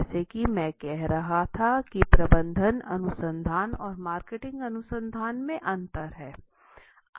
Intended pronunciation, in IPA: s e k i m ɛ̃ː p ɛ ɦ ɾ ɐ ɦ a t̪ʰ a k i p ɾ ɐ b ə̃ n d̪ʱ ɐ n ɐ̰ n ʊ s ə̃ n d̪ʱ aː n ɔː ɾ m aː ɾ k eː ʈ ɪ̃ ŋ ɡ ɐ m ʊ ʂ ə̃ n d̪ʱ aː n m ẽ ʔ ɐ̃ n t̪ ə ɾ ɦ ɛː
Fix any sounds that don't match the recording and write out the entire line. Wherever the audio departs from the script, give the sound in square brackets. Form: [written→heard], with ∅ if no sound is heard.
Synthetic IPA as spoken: s e k i m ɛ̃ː [p→k] ɛ ɦ ɾ ɐ ɦ a t̪ʰ a k i p ɾ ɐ b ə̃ n d̪ʱ [ɐ→ə] n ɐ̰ n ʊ s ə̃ n d̪ʱ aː n ɔː ɾ m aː ɾ k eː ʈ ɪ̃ ŋ ɡ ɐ [m→n] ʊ [ʂ→s] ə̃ n d̪ʱ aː n m ẽ ʔ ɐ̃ n t̪ ə ɾ ɦ ɛː